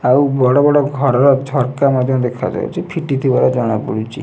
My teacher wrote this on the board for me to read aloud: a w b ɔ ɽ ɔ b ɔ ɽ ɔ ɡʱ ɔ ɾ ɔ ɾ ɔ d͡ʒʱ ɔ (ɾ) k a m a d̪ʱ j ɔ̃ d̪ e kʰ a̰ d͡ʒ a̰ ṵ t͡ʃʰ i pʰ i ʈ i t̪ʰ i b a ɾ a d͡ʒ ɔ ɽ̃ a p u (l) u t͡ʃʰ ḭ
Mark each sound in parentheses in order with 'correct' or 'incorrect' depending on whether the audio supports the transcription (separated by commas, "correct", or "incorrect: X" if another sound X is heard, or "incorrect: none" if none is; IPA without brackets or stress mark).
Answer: correct, incorrect: ɽ